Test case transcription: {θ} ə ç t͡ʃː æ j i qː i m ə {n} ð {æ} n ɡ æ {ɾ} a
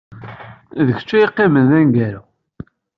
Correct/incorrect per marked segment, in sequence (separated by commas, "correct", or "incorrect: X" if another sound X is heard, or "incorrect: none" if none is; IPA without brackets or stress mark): incorrect: ð, correct, correct, correct